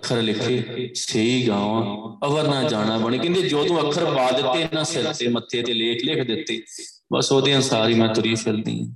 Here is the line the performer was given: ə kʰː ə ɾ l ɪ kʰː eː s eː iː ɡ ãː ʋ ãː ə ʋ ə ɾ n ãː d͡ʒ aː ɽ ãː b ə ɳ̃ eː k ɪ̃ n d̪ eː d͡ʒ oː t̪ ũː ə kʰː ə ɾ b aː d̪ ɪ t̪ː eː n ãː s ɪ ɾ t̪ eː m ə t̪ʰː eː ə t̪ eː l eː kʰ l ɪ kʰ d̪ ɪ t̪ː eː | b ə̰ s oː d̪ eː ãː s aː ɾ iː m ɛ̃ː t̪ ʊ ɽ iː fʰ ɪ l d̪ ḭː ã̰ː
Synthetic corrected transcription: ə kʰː ə ɾ l ɪ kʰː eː s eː iː ɡ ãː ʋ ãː ə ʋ ə ɾ n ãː d͡ʒ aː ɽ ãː b ə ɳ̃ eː k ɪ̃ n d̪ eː d͡ʒ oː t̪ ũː ə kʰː ə ɾ b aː d̪ ɪ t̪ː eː n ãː s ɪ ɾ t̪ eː m ə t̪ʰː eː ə t̪ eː l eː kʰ l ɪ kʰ d̪ ɪ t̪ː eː | b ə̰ s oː d̪ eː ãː s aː ɾ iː m ɛ̃ː t̪ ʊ ɾ iː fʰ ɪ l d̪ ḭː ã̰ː